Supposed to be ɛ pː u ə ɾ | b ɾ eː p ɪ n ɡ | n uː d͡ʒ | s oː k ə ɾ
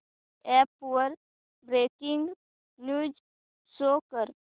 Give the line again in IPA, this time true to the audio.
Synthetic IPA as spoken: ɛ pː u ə ɾ | b ɾ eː k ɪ ŋ ɡ | n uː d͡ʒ | s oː k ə ɾ